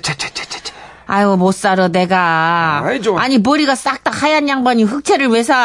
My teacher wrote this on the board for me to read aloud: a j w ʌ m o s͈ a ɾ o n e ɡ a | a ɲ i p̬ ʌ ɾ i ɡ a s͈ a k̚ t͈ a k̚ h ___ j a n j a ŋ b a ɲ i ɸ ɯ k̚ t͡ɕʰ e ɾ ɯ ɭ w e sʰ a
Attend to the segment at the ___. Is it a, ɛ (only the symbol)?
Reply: a